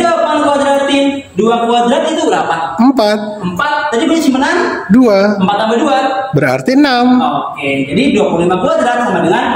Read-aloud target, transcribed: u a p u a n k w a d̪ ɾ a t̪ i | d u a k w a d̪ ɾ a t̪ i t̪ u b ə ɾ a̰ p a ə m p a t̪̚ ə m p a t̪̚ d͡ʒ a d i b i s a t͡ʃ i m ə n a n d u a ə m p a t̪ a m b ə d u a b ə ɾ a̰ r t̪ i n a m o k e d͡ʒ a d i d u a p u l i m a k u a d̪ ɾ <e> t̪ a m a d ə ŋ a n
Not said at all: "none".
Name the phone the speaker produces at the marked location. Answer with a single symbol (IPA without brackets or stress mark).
a